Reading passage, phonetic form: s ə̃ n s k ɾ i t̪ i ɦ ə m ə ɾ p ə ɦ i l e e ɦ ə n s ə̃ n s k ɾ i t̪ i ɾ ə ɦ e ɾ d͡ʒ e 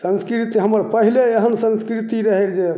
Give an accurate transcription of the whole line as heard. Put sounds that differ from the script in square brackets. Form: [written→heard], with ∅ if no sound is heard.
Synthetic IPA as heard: s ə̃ n s k ɾ i t̪ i ɦ ə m ə ɾ p ə ɦ i l e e ɦ ə n s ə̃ n s k ɾ i t̪ i ɾ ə ɦ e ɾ d͡ʒ e